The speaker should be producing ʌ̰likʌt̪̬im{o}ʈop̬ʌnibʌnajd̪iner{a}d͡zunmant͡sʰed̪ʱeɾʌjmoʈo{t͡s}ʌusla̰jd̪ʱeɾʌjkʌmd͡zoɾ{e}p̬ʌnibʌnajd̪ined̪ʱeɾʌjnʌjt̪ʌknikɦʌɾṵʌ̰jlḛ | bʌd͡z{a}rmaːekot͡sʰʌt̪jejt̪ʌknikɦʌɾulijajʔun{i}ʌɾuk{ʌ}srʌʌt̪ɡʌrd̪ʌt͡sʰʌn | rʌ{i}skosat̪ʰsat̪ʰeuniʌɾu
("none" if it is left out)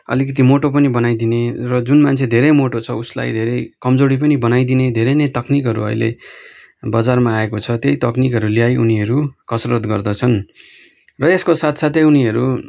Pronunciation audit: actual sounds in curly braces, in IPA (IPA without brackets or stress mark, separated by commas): o, ʌ, t͡sʰ, i, a, i, ʌ, e